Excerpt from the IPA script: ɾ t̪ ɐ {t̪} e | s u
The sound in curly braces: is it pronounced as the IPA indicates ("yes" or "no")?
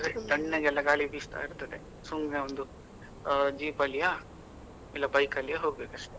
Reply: no